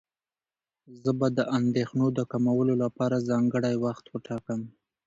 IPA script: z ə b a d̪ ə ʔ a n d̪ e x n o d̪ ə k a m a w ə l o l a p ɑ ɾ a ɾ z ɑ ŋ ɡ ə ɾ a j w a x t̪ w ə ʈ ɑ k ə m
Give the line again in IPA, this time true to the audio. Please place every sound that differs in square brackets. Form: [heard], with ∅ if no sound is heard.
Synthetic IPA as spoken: z ə b a d̪ ə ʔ a n d̪ e x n o d̪ ə k a m a w ə l o l a p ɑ ɾ a [∅] z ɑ ŋ ɡ ə [ɽ] a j w a x t̪ w ə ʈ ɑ k ə m